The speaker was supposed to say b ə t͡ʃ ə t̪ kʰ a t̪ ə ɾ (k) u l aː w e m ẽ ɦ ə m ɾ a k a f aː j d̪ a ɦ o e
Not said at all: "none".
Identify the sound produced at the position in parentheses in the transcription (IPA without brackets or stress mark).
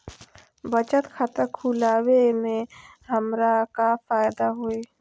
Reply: kʰ